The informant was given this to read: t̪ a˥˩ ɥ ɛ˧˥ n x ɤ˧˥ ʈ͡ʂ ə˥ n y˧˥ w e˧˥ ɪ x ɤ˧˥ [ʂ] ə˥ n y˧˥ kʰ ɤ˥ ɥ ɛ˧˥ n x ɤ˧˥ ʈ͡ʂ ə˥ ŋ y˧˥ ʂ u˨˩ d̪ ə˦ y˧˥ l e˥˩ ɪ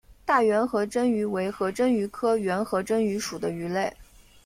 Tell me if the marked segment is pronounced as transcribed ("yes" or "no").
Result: no